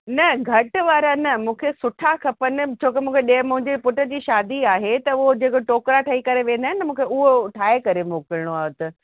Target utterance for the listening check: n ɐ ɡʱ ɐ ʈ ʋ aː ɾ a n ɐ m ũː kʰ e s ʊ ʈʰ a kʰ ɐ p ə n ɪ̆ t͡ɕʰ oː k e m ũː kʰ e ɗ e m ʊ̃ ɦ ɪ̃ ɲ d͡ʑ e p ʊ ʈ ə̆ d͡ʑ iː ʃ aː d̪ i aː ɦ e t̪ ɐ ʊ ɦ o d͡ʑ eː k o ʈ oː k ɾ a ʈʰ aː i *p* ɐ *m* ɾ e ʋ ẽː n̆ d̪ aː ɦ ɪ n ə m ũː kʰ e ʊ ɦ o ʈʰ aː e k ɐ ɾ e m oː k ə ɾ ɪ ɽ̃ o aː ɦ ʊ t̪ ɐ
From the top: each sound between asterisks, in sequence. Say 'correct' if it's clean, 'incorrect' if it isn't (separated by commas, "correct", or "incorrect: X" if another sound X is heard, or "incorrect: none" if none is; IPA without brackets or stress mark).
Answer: incorrect: k, incorrect: none